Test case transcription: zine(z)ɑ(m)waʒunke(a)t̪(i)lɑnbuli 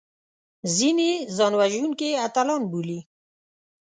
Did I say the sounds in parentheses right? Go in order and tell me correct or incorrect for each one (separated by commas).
correct, incorrect, correct, incorrect